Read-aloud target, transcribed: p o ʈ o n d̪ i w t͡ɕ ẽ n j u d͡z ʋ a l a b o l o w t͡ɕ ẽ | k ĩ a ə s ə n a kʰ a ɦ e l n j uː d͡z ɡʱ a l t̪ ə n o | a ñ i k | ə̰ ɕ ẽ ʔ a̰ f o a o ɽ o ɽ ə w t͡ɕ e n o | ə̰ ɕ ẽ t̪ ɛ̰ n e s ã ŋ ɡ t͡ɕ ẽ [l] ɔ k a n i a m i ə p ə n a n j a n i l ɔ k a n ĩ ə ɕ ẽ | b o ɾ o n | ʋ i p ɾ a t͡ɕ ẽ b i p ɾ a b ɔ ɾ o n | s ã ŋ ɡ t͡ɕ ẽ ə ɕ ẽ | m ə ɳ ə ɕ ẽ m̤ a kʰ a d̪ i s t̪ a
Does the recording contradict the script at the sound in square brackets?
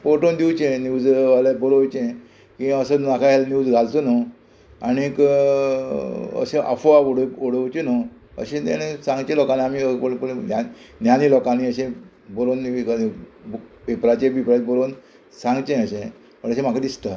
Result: no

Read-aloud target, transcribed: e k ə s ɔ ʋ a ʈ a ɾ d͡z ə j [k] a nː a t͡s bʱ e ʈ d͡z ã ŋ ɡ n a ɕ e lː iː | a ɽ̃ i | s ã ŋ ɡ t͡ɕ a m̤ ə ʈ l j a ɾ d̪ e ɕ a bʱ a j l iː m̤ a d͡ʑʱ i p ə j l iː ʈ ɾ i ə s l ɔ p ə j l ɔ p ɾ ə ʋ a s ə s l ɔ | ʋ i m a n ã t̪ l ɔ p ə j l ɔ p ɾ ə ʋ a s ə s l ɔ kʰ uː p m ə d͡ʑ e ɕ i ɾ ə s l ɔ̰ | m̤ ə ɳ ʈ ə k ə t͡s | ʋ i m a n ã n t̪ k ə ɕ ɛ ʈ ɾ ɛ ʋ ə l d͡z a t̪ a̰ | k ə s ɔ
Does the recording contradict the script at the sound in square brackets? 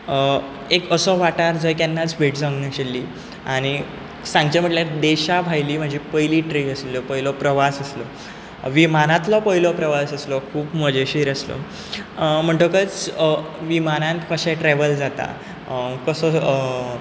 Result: no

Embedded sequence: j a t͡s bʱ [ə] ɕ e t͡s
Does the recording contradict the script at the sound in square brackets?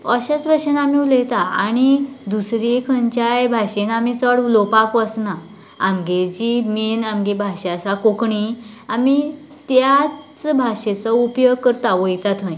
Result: yes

